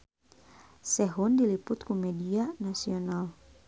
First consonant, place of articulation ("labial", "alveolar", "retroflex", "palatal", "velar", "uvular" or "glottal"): alveolar